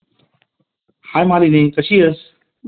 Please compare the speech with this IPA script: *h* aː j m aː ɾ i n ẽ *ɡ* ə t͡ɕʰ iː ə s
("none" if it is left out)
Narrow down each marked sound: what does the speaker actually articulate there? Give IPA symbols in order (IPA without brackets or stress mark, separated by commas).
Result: h, k